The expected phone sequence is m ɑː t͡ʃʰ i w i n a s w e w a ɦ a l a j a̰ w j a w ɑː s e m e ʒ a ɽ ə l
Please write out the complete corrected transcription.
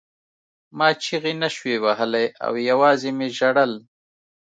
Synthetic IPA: m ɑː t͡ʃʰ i ɣ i n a ʃ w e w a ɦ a l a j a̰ w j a w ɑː z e m e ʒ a ɽ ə l